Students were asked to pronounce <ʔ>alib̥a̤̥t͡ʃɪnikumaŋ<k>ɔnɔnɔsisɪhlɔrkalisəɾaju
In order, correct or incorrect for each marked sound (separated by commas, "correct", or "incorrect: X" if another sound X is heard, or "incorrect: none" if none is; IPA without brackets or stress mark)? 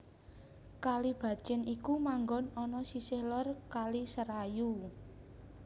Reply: incorrect: k, incorrect: ɡ